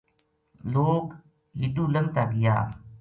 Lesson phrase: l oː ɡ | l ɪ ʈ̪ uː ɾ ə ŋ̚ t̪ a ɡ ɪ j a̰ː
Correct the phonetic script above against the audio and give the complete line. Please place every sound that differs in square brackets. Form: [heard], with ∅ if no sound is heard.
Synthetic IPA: l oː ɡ | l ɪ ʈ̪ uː [l] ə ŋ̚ t̪ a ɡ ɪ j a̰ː